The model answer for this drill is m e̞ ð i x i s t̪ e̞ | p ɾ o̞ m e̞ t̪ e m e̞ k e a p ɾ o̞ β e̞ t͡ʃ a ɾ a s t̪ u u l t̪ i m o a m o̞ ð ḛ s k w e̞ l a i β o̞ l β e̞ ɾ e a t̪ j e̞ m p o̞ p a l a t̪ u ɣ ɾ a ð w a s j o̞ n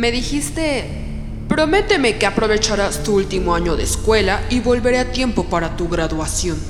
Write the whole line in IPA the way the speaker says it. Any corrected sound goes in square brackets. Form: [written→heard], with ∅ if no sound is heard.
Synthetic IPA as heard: m e̞ ð i x i s t̪ e̞ | p ɾ o̞ m e̞ t̪ e m e̞ k e a p ɾ o̞ β e̞ t͡ʃ a ɾ a s t̪ u u l t̪ i m o a [m→ɲ] o̞ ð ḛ s k w e̞ l a i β o̞ l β e̞ ɾ e a t̪ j e̞ m p o̞ p a [l→ɾ] a t̪ u ɣ ɾ a ð w a s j o̞ n